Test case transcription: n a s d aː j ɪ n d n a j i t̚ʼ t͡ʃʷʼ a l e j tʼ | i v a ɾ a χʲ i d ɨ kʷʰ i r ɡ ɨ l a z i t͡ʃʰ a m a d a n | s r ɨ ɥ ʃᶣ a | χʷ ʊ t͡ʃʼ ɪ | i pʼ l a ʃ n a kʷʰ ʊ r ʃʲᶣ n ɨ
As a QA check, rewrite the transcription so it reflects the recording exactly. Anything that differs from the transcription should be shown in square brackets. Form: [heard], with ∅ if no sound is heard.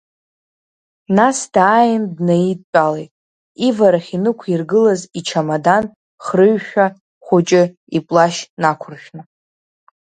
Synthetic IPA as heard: n a s d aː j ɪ n d n a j i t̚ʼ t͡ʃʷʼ a l e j tʼ | i v a ɾ a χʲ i [n] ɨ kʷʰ i r ɡ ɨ l a z i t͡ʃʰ a m a d a n | [χ] r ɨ ɥ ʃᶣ a | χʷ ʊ t͡ʃʼ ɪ | i pʼ l a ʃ n a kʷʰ ʊ r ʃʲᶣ n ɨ